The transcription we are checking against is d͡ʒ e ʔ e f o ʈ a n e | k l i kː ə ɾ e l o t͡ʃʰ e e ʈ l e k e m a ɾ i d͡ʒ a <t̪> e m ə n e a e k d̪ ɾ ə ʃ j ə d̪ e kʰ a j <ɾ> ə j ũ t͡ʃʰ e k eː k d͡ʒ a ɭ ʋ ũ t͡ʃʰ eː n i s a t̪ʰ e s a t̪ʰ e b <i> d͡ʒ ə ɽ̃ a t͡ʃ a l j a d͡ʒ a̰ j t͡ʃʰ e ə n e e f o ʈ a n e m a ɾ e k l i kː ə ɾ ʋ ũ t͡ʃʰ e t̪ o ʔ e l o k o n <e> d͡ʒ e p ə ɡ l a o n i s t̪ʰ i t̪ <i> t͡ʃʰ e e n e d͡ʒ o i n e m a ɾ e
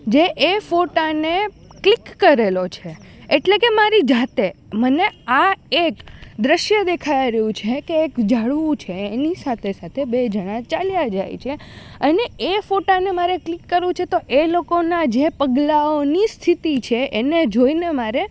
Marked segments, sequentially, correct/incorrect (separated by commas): correct, correct, incorrect, incorrect, correct